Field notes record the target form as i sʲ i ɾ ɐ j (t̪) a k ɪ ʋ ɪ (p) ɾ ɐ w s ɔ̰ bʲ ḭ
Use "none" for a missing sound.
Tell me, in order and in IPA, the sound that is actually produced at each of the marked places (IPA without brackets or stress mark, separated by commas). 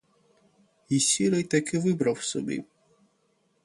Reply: t̪, b